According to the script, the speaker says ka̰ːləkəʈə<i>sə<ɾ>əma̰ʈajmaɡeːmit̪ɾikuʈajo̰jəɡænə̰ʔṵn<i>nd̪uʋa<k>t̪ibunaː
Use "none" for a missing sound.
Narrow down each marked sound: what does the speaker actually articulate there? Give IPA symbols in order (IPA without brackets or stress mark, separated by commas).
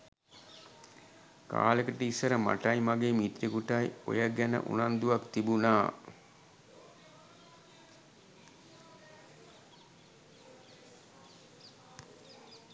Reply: i, ɾ, a, k